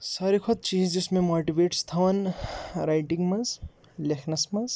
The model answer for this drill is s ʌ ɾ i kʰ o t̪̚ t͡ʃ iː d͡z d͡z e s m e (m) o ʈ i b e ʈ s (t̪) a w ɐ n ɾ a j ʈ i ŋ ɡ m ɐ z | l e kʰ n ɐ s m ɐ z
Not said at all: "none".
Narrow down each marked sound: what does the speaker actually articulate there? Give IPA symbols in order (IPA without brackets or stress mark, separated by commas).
m, t̪ʰ